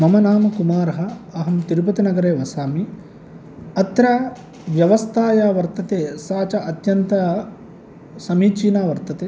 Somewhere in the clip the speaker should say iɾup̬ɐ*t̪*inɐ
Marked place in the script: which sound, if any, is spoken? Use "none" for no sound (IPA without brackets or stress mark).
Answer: t̪